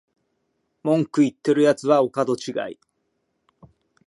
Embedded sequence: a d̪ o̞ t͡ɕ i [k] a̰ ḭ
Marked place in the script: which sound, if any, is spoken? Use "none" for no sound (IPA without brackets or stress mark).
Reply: ɡ